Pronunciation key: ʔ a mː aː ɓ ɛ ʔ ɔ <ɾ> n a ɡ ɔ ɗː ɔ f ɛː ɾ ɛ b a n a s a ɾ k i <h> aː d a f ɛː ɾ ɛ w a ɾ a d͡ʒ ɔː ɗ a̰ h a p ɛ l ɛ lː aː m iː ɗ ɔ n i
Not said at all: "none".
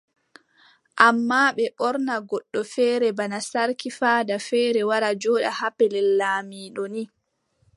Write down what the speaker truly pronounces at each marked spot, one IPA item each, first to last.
ɾ, f

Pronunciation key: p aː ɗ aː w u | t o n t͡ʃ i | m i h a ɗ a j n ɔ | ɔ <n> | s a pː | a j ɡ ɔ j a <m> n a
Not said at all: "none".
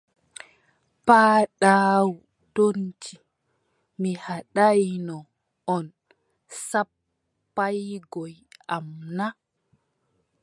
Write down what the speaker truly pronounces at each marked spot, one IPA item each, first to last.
n, m

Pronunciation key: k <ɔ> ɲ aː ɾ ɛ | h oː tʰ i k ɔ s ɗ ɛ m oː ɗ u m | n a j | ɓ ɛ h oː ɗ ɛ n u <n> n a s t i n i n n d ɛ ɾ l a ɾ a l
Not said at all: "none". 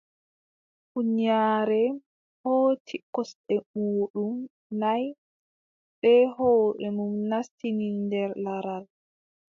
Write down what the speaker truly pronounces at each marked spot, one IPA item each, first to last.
u, m

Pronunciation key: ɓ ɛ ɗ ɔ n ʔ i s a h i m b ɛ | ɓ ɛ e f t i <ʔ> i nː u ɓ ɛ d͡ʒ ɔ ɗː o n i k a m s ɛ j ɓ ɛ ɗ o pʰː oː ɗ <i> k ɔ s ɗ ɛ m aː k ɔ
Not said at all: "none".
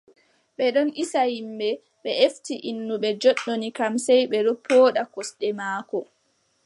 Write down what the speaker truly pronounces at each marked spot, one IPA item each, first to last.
ʔ, a

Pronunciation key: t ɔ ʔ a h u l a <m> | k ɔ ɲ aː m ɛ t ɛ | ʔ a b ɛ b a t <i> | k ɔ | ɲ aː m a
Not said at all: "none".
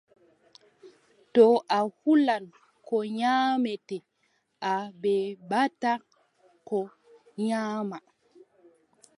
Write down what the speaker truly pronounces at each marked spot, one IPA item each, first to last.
n, a

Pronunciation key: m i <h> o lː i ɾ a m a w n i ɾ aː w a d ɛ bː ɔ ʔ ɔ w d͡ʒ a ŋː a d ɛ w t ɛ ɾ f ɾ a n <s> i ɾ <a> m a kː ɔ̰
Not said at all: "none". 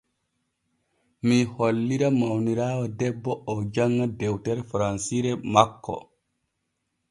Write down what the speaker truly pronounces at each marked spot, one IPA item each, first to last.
h, s, ɛ

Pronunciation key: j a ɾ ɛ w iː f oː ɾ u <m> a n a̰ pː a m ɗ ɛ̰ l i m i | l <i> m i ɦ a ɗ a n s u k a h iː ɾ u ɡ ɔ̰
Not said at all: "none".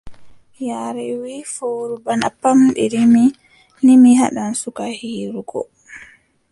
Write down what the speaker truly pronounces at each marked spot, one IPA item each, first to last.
b, i

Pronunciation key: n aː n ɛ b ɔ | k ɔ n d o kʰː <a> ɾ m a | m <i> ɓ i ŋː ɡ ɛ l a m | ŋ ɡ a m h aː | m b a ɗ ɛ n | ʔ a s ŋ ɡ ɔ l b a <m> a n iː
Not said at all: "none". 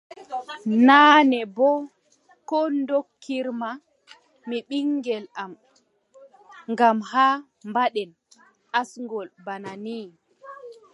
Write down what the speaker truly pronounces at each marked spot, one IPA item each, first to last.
i, i, n

